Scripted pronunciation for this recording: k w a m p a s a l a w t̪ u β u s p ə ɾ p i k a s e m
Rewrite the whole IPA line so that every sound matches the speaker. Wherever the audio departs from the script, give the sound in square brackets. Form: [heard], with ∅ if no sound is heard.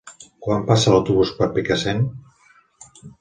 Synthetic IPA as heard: k w a m p a s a l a w t̪ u β u s p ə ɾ p i k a s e [n]